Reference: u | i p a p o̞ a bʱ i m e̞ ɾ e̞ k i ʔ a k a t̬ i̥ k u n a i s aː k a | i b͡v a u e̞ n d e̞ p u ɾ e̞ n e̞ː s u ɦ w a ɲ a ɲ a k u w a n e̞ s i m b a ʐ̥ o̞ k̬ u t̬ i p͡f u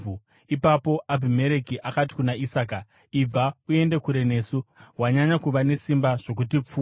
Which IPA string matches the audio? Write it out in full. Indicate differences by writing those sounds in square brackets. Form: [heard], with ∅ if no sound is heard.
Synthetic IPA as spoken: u | i p a p o̞ a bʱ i m e̞ ɾ e̞ k i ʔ a k a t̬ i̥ k u n a i s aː k a | i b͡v a u e̞ n d e̞ [k] u ɾ e̞ n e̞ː s u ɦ w a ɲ a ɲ a k u [ʋ] a n e̞ s i m b a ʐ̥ o̞ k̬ u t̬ i p͡f u